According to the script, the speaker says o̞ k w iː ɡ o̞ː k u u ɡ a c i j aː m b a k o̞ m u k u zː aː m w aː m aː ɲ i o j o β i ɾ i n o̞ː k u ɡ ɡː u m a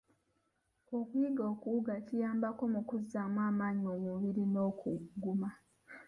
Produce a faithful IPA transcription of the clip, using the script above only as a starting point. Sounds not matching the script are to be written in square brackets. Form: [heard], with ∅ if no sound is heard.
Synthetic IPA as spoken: o̞ k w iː ɡ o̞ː k u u ɡ a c i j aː m b a k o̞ m u k u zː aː m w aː m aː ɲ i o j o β i ɾ i n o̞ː k u ɡ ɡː u m a